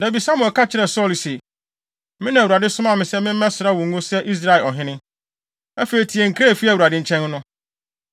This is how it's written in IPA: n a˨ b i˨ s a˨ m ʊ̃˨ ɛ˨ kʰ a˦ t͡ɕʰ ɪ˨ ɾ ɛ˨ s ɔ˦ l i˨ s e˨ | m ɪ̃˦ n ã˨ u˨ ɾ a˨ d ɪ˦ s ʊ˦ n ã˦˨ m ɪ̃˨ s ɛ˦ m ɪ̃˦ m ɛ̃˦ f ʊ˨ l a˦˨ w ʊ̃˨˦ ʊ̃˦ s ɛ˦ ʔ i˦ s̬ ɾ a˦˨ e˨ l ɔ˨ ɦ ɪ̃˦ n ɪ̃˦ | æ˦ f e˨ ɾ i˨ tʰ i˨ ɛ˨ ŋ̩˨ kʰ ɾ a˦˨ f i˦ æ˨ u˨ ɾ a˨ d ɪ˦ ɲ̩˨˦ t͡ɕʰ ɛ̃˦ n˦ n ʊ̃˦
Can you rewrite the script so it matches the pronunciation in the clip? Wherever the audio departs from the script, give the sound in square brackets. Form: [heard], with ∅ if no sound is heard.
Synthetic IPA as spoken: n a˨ b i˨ s [a˦] m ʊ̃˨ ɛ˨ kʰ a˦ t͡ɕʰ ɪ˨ ɾ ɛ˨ s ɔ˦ l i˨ s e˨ | m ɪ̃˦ n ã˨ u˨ ɾ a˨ d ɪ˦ s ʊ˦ [m] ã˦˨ m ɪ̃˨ s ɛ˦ m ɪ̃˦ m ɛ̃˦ [s] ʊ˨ [ɾ] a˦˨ w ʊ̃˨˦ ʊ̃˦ s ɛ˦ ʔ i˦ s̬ ɾ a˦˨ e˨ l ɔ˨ ɦ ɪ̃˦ n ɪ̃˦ | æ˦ f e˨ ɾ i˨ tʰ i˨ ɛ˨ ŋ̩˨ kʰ ɾ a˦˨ f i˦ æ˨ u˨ ɾ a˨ d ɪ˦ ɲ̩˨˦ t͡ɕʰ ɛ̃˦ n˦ n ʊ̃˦